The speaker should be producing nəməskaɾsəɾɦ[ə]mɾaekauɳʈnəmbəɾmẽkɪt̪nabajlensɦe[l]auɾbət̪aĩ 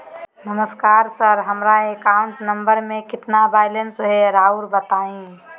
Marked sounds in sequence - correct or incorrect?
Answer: correct, incorrect

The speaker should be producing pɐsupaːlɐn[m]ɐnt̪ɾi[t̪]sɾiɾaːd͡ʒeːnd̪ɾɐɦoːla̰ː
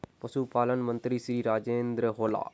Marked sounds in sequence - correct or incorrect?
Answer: correct, incorrect

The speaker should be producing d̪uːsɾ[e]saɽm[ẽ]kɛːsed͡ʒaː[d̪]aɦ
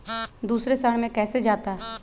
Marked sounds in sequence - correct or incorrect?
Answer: correct, correct, incorrect

